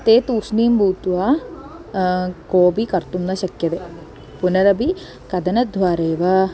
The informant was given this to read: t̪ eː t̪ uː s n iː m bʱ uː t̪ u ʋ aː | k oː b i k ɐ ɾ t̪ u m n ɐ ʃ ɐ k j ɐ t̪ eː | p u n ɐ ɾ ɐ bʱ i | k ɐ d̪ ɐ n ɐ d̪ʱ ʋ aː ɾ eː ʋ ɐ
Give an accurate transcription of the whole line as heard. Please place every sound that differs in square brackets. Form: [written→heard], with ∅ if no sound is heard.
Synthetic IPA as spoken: t̪ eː t̪ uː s n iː m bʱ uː t̪ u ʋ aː | k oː b i k ɐ ɾ t̪ u m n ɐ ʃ ɐ k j ɐ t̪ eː | p u n ɐ ɾ ɐ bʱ i | k ɐ d̪ ɐ n ɐ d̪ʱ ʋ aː ɾ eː ʋ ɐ